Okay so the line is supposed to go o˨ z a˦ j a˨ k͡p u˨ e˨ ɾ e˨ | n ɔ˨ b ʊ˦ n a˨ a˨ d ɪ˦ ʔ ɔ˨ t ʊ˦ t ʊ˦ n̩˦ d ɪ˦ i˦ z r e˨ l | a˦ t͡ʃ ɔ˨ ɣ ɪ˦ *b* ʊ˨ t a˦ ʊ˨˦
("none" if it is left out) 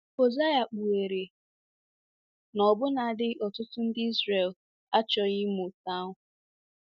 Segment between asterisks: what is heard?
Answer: m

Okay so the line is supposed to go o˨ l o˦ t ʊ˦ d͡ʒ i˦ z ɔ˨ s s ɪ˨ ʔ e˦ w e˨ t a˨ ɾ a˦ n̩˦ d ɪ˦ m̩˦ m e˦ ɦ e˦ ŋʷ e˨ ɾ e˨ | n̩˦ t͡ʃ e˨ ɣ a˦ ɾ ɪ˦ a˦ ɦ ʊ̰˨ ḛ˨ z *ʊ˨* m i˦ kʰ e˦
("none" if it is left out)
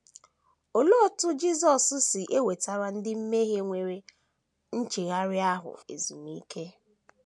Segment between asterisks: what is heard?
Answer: u˨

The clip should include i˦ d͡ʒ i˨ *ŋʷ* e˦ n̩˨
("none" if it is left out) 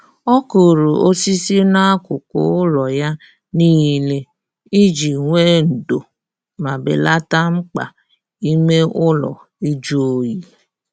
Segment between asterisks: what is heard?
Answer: ŋʷ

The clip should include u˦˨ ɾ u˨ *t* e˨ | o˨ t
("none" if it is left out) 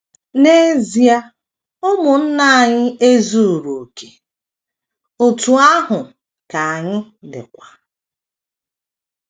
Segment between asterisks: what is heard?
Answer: k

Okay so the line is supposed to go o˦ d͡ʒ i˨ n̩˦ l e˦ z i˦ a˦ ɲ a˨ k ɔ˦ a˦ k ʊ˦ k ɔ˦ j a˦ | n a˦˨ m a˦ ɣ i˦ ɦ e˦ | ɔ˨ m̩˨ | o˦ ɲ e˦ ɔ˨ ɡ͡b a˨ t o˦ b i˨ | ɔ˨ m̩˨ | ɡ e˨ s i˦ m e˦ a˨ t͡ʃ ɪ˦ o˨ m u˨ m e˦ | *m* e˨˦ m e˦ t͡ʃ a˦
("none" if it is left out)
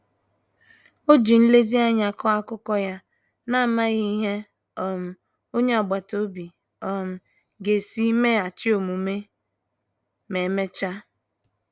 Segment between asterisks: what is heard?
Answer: m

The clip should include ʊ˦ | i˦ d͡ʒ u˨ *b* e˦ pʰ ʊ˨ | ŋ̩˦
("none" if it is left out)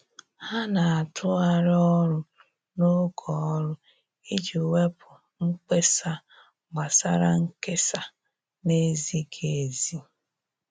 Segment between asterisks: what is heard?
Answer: w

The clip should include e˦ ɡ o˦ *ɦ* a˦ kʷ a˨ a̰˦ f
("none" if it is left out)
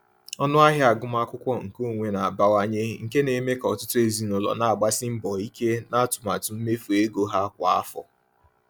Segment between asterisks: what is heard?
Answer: ɦ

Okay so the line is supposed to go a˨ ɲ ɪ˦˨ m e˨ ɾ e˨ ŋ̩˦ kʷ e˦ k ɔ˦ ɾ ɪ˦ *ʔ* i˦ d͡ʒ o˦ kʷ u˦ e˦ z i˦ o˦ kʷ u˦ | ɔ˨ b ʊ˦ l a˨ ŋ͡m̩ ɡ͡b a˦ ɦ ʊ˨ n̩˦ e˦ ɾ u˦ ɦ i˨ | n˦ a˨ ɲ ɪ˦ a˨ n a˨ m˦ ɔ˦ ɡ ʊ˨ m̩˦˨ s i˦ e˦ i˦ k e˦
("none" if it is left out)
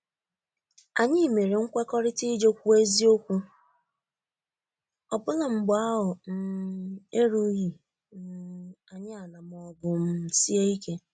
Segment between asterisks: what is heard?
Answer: t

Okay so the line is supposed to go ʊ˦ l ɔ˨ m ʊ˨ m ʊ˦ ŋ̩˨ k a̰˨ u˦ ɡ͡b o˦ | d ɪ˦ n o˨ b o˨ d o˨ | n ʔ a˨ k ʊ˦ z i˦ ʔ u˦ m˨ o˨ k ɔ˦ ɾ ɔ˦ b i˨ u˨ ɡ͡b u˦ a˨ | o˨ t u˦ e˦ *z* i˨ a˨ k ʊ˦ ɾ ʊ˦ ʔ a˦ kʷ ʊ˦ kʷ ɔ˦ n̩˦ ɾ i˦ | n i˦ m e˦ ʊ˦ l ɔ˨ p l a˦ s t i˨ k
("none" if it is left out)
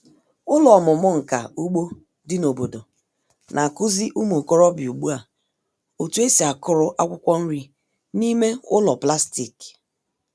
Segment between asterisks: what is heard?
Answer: s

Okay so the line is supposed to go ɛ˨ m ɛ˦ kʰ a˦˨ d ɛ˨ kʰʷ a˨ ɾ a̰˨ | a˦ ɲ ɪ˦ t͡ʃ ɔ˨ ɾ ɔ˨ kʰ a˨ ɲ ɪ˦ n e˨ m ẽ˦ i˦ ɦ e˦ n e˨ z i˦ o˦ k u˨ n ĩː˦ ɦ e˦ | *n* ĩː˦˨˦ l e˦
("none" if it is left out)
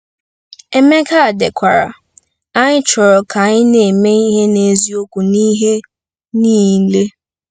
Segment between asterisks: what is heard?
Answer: n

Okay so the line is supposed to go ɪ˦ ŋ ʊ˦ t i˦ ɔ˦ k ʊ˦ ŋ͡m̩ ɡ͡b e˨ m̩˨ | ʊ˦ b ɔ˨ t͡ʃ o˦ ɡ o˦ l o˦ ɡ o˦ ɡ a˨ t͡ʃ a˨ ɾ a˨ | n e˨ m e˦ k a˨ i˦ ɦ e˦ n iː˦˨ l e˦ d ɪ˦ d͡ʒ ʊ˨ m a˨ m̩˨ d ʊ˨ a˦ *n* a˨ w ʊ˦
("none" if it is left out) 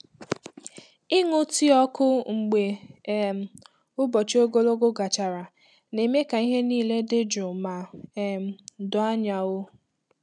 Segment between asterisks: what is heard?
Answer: ɲ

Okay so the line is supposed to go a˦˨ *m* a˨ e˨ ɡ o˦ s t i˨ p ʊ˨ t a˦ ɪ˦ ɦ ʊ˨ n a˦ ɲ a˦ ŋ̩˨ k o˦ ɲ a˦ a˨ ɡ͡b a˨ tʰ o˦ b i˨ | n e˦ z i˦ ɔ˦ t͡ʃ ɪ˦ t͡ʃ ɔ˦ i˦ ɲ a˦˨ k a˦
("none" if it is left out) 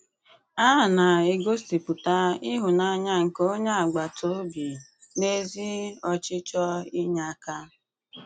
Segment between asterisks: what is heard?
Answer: n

